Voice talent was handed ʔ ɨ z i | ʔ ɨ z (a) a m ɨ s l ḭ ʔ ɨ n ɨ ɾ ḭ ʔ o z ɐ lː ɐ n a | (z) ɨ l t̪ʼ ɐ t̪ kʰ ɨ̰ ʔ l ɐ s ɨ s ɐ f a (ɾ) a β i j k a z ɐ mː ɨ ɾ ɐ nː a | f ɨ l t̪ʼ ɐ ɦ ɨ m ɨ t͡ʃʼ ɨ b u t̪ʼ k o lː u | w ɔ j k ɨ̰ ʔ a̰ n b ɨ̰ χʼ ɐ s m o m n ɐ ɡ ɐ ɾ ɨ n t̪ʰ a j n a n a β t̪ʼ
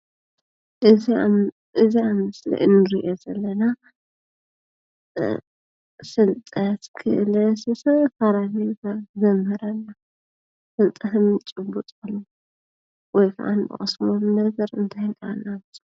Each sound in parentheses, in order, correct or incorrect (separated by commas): incorrect, incorrect, correct